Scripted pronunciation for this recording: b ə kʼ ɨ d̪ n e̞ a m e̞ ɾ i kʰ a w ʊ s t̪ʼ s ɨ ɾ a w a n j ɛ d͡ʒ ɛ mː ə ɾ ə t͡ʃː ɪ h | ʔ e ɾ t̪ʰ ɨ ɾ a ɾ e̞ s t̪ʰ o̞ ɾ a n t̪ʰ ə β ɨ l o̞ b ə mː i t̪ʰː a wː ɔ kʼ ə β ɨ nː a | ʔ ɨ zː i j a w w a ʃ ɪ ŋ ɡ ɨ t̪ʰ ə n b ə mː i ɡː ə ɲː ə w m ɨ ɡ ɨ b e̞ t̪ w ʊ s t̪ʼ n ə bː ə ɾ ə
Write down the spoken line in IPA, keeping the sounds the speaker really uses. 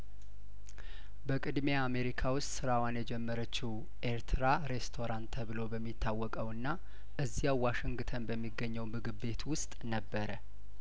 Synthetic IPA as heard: b ə kʼ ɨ d̪ m e̞ a m e̞ ɾ i kʰ a w ʊ s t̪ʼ s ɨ ɾ a w a n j ɛ d͡ʒ ɛ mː ə ɾ ə t͡ʃː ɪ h | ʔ e ɾ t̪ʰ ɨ ɾ a ɾ e̞ s t̪ʰ o̞ ɾ a n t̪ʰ ə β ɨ l o̞ b ə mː i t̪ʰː a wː ɔ kʼ ə w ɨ nː a | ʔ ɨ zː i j a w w a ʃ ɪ ŋ ɡ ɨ t̪ʰ ə n b ə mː i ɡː ə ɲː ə w m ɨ ɡ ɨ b e̞ t̪ w ʊ s t̪ʼ n ə bː ə ɾ ə